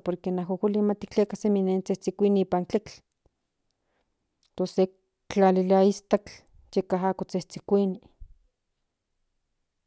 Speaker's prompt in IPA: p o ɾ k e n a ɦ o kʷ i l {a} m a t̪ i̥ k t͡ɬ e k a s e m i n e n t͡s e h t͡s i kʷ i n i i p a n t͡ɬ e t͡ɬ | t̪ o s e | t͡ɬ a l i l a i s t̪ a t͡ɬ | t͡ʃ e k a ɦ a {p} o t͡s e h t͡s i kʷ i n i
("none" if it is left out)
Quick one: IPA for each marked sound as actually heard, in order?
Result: i, k

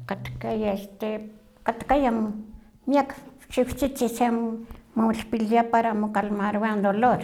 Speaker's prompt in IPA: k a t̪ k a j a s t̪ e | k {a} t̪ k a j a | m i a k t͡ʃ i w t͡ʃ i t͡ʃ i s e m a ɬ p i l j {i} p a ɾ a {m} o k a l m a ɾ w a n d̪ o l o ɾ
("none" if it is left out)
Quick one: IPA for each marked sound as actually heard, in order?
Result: a, a, m

